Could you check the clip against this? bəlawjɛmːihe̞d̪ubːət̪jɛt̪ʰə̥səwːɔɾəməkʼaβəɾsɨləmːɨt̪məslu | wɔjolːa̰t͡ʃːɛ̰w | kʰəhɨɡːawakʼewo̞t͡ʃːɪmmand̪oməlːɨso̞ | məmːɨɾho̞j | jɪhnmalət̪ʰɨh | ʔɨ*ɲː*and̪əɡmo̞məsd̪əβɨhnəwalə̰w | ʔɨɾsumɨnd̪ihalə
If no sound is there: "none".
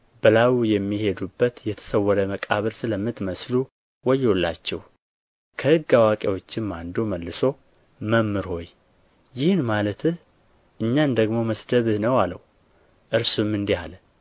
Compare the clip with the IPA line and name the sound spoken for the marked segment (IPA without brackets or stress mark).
ɲː